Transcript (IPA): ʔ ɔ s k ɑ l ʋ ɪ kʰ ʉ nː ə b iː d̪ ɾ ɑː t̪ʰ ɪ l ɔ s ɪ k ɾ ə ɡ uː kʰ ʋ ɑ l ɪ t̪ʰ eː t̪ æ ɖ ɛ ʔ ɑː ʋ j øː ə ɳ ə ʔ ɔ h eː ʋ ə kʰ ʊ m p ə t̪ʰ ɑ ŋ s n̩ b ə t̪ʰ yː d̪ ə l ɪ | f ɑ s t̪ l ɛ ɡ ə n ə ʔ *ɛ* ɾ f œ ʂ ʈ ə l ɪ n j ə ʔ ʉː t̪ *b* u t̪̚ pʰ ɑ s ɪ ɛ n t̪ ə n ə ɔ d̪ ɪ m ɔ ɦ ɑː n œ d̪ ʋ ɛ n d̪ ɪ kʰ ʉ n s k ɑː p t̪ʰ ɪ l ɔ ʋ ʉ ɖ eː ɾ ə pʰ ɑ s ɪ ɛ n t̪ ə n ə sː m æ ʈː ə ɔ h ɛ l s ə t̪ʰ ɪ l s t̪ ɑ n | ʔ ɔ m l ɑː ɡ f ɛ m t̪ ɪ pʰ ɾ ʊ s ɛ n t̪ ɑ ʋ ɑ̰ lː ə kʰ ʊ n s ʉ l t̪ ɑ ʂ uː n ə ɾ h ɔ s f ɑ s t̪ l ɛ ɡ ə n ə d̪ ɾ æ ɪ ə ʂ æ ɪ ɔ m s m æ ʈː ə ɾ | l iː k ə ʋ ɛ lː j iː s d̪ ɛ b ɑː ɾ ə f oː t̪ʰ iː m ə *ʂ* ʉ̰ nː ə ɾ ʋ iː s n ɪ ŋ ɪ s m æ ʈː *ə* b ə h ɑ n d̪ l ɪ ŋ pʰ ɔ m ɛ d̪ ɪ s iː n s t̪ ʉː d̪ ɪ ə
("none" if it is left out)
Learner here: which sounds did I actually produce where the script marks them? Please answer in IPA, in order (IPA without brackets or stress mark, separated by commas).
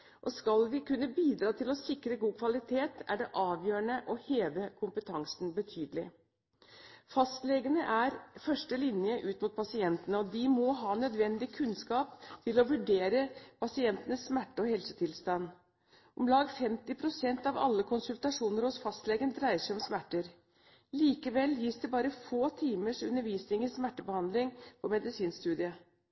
æ, m, ʂ, ə